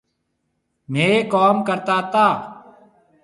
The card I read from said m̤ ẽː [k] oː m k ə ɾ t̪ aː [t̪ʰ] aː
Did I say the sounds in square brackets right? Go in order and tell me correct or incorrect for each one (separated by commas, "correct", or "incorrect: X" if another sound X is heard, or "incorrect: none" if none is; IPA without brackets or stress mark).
correct, incorrect: t̪